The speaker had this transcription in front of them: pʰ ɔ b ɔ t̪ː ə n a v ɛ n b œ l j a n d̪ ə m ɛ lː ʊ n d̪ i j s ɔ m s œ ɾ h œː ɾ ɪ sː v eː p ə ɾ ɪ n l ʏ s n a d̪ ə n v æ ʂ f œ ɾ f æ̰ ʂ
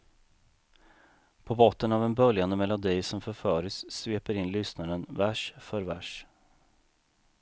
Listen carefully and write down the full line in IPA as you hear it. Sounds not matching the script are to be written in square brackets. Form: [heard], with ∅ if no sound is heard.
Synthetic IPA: pʰ ɔ b ɔ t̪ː ə n a v ɛ n b œ l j a n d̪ ə m ɛ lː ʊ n d̪ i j s ɔ m [f] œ ɾ [f] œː ɾ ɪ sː v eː p ə ɾ ɪ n l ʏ s n a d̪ ə n v æ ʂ f œ ɾ [v] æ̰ ʂ